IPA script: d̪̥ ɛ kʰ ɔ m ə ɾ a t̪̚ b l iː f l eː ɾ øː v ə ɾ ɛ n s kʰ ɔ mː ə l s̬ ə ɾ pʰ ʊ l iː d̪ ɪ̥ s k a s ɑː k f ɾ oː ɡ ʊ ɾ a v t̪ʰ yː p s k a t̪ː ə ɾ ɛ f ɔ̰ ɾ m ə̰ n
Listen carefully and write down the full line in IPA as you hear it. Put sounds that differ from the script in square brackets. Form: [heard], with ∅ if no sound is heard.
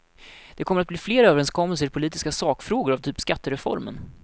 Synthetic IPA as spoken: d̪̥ ɛ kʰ ɔ m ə ɾ a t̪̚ b l iː f l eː ɾ øː v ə ɾ ɛ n s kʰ ɔ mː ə l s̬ ə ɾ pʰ ʊ l iː [t̪] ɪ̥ s k a s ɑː k f ɾ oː ɡ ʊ ɾ a v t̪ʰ yː p s k a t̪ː ə ɾ ɛ f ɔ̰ ɾ m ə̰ n